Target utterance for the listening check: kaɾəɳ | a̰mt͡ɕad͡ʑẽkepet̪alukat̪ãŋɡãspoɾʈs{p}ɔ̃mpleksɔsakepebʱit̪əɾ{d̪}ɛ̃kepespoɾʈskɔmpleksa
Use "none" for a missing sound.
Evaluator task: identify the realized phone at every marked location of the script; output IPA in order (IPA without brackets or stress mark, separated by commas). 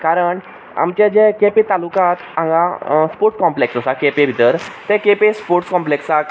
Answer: k, t̪